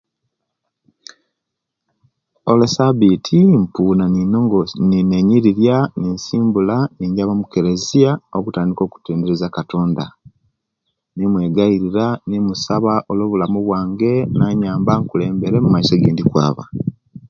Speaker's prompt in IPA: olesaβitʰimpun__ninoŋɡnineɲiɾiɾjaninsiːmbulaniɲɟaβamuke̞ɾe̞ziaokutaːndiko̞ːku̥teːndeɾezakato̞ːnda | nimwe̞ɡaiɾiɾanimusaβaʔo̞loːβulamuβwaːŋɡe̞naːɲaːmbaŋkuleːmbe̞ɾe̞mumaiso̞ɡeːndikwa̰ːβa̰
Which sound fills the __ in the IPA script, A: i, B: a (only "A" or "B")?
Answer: B